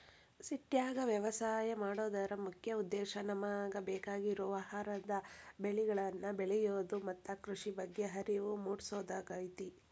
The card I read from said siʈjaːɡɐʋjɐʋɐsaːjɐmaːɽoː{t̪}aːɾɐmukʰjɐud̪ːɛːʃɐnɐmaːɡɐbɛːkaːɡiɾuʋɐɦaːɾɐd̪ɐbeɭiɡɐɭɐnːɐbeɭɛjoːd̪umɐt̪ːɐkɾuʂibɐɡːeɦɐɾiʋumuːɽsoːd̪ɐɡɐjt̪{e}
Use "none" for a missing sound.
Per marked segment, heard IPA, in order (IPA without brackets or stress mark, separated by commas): d̪, i